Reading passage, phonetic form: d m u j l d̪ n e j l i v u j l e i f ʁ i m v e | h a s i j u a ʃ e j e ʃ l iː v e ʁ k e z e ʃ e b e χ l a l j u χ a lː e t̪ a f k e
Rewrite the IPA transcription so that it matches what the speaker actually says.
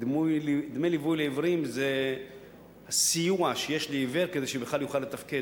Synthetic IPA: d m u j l d̪ m e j l i v u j l e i v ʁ i m z e | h a s i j u a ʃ e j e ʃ l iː v e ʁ k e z e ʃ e b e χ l a l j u χ a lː e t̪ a f k e